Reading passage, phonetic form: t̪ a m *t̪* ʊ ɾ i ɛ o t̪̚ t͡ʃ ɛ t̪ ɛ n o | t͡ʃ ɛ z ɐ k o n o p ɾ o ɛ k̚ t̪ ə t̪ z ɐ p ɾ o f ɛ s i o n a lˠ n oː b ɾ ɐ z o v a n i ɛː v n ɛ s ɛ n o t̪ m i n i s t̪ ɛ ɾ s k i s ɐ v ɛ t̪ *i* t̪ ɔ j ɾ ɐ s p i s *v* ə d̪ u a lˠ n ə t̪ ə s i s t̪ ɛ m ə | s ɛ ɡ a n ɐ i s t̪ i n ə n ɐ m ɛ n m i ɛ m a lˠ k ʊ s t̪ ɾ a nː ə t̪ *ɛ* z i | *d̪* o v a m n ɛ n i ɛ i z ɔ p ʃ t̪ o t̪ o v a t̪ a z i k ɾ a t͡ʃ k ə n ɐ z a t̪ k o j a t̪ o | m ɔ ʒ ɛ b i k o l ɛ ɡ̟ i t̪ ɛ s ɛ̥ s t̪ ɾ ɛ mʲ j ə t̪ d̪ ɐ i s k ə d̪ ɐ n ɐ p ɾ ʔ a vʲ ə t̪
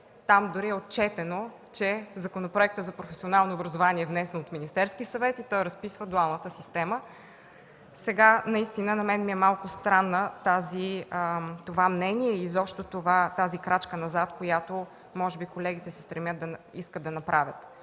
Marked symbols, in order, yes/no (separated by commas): no, yes, yes, no, no